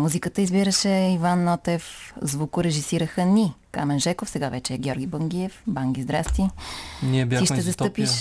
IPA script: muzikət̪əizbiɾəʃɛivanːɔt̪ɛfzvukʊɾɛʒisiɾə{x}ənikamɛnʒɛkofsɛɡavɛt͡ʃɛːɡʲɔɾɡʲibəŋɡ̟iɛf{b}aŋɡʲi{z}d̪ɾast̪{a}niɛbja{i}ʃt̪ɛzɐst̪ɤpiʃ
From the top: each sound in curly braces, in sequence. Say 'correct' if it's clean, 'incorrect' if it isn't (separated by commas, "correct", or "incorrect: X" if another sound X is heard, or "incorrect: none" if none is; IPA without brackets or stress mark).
correct, correct, correct, incorrect: i, correct